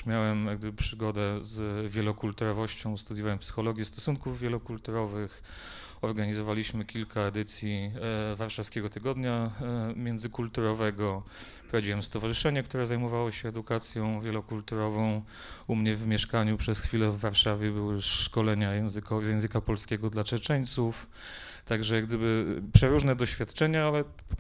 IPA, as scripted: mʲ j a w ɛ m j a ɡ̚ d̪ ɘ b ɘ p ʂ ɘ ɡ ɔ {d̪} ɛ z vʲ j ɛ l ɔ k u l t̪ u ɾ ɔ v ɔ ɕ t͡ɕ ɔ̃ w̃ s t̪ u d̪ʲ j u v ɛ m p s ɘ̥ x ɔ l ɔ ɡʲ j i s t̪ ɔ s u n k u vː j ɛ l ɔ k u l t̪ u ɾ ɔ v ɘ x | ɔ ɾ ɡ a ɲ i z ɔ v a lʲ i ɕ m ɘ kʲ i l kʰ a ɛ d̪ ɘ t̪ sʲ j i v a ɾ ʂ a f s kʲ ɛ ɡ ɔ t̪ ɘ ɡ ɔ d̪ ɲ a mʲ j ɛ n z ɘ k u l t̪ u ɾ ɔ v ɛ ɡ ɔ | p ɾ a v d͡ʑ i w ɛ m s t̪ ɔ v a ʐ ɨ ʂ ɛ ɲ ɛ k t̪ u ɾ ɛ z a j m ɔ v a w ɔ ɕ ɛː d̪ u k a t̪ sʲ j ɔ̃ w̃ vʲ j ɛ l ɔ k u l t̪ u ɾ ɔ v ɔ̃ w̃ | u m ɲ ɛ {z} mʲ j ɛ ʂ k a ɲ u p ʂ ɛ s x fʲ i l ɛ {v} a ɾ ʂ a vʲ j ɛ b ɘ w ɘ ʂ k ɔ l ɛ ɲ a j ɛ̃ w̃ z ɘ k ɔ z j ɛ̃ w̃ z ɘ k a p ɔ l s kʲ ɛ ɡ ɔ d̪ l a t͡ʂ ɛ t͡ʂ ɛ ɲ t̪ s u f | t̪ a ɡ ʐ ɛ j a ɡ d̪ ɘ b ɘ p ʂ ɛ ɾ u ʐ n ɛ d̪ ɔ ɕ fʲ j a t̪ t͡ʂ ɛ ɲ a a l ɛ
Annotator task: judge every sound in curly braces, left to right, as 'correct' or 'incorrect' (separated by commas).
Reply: correct, incorrect, incorrect